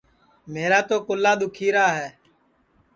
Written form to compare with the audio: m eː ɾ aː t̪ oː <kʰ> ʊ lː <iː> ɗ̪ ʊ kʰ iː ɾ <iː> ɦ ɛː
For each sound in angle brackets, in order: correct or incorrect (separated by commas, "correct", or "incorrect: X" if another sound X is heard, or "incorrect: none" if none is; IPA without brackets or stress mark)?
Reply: incorrect: k, incorrect: aː, incorrect: aː